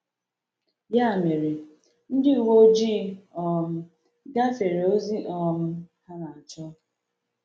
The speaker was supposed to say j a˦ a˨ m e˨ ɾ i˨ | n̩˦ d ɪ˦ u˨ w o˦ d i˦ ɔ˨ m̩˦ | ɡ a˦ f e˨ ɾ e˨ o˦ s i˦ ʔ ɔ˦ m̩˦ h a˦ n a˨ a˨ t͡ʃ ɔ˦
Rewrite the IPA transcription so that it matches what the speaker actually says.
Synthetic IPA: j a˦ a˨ m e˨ ɾ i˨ | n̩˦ d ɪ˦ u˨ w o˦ d͡ʒ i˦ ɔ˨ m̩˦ | ɡ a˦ f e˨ ɾ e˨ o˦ z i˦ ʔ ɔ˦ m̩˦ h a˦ n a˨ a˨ t͡ʃ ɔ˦